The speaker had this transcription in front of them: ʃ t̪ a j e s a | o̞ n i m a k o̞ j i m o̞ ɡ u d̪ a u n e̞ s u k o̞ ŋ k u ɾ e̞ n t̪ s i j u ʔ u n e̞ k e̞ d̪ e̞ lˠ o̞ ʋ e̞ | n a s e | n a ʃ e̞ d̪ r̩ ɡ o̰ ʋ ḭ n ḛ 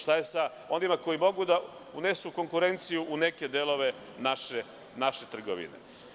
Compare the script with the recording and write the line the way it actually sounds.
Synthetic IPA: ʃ t̪ a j e s a | o̞ n i m a k o̞ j i m o̞ ɡ u d̪ a u n e̞ s u k o̞ ŋ k u ɾ e̞ n t̪ s i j u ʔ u n e̞ k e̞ d̪ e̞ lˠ o̞ ʋ e̞ | n a ʃ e | n a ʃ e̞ t̪ r̩ ɡ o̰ ʋ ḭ n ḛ